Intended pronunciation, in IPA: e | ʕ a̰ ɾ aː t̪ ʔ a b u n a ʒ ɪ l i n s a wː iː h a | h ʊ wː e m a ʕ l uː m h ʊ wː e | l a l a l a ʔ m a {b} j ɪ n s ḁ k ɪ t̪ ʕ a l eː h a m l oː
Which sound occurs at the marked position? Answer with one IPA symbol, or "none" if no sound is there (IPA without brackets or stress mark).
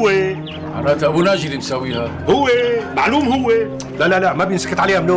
b